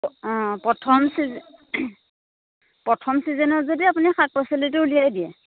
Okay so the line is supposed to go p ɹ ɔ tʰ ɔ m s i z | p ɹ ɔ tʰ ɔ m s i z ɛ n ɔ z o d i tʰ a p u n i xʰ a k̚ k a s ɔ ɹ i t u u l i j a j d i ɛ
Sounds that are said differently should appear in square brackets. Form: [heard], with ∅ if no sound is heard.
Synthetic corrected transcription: p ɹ ɔ tʰ ɔ m s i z | p ɹ ɔ tʰ ɔ m s i z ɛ n ɔ z o d i [∅] a p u n i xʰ a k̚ [p] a s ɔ [l] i t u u l i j a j d i ɛ